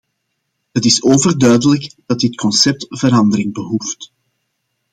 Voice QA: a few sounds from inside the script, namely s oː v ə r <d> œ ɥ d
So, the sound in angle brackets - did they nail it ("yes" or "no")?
yes